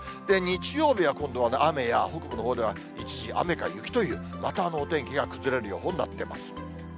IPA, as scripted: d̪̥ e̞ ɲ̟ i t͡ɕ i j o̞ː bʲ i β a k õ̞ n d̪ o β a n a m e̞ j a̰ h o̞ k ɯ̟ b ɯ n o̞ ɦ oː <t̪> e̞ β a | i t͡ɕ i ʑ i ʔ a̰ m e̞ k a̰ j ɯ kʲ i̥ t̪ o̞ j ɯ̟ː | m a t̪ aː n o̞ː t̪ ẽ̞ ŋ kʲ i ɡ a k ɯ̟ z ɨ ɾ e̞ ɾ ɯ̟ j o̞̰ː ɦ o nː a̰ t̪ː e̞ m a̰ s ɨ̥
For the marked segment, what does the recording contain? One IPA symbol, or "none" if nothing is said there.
d̪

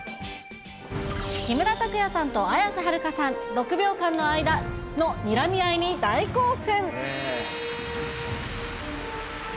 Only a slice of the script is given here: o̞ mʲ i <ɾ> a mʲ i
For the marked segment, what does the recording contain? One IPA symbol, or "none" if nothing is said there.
ɾ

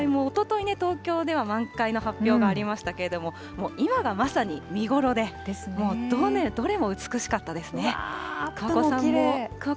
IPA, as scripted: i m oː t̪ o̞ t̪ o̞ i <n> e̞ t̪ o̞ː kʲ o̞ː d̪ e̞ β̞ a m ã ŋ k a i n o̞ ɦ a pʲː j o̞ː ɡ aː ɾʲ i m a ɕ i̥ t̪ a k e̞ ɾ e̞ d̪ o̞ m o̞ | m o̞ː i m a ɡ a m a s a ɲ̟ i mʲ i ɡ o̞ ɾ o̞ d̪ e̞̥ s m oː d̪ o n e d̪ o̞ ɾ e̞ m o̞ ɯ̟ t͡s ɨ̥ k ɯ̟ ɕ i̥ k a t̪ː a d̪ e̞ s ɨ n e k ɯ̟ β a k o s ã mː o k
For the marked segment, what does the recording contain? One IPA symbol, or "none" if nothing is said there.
n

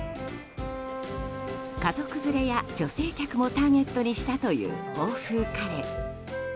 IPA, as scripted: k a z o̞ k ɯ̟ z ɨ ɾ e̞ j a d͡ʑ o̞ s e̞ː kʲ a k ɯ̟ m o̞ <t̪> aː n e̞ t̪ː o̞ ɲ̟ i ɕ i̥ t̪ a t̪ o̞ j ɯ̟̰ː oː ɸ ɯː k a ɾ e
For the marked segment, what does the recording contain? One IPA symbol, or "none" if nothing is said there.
t̪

